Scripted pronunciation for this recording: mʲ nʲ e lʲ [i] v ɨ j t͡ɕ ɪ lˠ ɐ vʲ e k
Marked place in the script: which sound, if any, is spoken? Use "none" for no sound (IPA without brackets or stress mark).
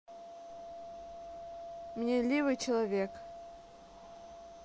i